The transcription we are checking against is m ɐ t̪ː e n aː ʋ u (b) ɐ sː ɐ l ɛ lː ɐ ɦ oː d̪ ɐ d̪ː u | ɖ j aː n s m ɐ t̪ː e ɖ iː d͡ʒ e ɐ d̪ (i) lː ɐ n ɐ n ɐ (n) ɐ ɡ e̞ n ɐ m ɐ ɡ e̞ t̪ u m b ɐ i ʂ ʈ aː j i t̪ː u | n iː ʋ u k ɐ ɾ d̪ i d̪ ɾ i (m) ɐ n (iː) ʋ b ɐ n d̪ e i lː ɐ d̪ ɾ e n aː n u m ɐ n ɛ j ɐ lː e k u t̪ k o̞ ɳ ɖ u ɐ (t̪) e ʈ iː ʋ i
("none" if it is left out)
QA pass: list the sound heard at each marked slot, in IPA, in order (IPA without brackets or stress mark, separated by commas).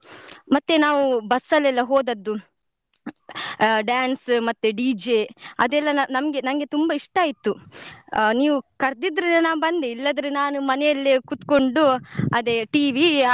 b, ɛ, m, n, aː, d̪